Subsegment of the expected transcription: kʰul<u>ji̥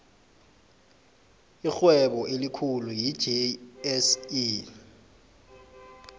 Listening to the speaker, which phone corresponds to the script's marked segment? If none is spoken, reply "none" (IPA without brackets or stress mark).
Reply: u